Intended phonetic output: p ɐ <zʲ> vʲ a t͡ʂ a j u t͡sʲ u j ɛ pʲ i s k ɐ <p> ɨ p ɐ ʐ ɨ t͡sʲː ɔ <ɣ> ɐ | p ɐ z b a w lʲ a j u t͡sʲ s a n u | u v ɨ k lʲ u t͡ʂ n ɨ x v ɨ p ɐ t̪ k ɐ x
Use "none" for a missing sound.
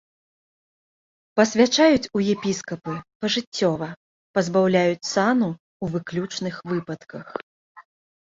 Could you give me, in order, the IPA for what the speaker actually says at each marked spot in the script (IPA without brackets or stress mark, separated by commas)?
sʲ, p, v